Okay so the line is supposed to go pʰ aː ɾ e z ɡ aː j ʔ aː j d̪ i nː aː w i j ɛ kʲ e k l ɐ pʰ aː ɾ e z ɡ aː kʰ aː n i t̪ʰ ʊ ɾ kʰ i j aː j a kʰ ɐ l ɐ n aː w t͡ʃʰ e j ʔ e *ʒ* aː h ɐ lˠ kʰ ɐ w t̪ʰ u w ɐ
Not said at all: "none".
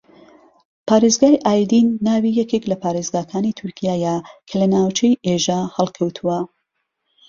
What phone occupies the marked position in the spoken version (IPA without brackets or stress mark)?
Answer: ʒ